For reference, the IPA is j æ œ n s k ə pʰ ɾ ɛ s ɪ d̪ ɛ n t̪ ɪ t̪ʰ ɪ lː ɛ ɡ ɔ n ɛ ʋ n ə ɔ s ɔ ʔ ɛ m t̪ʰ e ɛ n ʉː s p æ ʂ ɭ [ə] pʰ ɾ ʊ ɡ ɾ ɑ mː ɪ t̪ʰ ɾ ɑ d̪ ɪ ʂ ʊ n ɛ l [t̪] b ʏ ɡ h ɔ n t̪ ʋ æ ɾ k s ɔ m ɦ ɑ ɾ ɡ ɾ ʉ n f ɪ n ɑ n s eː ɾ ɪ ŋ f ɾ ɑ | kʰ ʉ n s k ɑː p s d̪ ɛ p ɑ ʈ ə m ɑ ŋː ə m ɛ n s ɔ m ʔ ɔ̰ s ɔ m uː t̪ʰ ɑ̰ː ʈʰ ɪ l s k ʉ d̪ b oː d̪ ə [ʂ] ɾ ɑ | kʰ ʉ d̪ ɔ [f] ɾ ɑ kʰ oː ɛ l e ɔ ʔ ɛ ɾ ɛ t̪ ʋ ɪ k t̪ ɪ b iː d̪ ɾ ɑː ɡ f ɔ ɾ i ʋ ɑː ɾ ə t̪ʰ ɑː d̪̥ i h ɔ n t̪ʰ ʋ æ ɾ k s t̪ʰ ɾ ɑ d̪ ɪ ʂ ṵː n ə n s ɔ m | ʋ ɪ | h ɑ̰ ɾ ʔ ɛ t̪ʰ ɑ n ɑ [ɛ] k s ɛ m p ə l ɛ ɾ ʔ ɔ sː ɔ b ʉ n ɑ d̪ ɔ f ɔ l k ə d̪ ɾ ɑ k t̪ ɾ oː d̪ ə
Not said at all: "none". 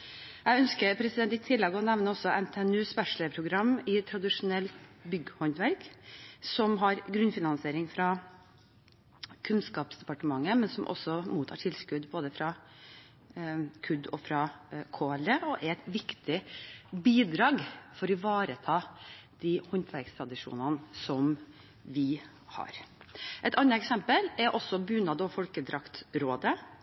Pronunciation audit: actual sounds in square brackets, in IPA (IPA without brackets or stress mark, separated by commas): ə, t̪, f, f, ɛ